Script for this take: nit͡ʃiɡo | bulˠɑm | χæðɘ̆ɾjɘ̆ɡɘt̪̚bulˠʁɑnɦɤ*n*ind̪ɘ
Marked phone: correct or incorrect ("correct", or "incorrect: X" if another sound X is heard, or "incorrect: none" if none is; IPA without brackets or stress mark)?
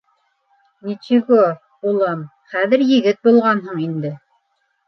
incorrect: ɴ